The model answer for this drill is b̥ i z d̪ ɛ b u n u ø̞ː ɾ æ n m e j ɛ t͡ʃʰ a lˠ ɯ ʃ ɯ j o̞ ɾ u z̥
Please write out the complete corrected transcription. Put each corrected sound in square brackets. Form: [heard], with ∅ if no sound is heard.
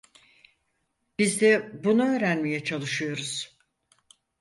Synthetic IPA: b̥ i z d̪ ɛ b u n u ø̞ː ɾ æ n m e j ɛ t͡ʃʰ a lˠ ɯ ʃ ɯ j o̞ ɾ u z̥